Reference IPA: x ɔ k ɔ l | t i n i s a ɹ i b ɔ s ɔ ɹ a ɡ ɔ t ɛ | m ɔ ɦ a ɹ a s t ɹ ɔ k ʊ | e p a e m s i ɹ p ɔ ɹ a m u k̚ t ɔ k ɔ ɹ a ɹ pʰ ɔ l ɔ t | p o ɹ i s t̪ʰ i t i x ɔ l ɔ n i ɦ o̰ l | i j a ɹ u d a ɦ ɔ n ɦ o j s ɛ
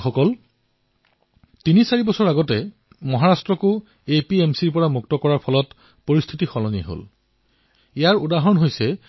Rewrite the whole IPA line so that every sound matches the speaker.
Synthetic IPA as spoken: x ɔ k ɔ l | t i n i s a ɹ i b ɔ s ɔ ɹ a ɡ ɔ t ɛ | m ɔ ɦ a ɹ a s t ɹ ɔ k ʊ | e p i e m s i ɹ p ɔ ɹ a m u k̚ t ɔ k ɔ ɹ a ɹ pʰ ɔ l ɔ t | p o ɹ i s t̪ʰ i t i x ɔ l ɔ n i ɦ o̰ l | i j a ɹ u d a ɦ ɔ n ɦ o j s ɛ